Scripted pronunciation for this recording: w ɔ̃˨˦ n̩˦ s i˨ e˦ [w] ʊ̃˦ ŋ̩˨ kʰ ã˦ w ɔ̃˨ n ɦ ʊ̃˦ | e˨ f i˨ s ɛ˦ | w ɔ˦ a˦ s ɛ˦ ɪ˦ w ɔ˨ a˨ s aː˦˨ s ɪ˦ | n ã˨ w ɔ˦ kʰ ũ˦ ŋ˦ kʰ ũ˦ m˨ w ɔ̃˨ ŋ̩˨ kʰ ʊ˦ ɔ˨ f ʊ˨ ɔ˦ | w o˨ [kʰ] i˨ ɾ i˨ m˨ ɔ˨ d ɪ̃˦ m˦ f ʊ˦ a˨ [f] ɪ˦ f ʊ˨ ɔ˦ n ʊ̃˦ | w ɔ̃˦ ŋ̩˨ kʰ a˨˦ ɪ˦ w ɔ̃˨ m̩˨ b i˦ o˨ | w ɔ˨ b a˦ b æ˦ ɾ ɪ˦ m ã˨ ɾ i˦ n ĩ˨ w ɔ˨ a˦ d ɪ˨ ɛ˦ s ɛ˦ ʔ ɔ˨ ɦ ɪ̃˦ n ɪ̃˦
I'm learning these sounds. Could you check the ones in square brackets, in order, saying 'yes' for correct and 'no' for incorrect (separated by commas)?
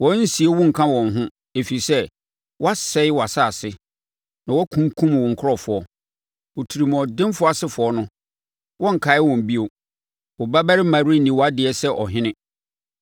yes, no, no